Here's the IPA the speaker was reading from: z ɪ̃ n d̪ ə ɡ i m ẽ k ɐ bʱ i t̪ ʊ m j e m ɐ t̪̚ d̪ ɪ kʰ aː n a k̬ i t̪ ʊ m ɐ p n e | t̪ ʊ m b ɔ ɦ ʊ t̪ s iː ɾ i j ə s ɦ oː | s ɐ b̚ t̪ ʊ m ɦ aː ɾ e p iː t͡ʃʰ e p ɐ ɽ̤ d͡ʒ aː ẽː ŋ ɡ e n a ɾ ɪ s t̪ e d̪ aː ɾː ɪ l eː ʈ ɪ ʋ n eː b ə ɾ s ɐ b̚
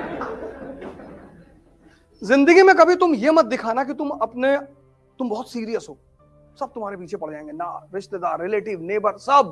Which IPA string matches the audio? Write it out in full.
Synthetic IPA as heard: z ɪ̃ n d̪ ə ɡ i m ẽ k ɐ bʱ i t̪ ʊ m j e m ɐ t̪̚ d̪ ɪ kʰ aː n a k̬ i t̪ ʊ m ɐ p n e | t̪ ʊ m b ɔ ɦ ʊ t̪ s iː ɾ i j ə s ɦ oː | s ɐ b̚ t̪ ʊ m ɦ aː ɾ e p iː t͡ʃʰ e p ɐ ɽ̤ d͡ʒ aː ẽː ŋ ɡ e n a ɾ ɪ ʃ t̪ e d̪ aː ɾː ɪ l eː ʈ ɪ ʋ n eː b ə ɾ s ɐ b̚